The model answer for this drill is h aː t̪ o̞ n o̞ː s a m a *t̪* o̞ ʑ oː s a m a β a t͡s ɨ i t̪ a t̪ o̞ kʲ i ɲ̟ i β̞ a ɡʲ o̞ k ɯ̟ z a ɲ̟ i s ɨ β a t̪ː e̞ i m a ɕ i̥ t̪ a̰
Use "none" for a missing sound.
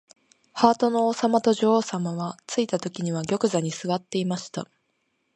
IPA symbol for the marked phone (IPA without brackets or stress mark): t̪